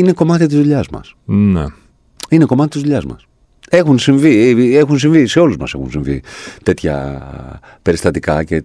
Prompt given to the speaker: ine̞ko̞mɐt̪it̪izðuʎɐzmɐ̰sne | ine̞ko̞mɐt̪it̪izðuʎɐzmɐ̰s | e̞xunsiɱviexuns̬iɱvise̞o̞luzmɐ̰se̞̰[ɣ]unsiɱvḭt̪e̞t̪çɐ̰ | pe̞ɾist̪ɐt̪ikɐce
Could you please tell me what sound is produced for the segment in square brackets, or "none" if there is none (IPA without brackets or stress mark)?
x